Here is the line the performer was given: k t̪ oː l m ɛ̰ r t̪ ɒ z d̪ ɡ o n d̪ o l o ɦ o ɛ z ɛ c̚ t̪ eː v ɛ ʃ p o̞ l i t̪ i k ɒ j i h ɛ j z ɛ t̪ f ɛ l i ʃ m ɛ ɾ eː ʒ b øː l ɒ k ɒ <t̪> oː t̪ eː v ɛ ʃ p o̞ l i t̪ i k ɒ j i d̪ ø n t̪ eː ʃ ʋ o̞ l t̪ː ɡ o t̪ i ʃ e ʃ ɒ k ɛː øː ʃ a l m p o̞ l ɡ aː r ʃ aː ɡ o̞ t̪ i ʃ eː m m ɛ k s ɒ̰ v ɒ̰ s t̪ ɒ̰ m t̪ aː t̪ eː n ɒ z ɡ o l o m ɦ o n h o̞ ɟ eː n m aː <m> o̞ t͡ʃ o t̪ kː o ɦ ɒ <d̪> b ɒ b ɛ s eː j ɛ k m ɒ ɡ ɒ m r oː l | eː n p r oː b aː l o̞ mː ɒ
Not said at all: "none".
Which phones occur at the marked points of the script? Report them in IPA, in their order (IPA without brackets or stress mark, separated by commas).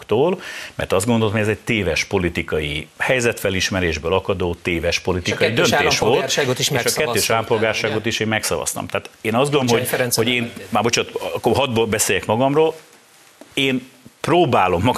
d̪, b, d̪